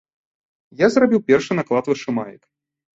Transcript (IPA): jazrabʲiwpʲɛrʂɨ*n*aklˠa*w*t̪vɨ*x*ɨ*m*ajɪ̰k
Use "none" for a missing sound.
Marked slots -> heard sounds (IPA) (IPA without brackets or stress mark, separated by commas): n, none, ʂ, m